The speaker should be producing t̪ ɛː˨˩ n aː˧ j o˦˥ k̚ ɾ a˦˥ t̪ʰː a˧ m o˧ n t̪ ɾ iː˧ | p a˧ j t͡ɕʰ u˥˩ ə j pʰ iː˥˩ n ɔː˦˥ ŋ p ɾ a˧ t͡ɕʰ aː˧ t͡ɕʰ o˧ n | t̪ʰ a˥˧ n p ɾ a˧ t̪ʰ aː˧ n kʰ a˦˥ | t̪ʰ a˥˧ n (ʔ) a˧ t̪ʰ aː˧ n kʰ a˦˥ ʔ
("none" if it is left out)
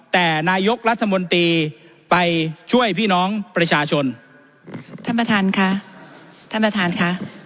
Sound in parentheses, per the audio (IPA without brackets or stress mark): p